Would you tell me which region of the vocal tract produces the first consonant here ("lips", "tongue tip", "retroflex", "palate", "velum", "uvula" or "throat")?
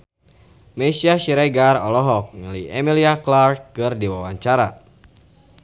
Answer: lips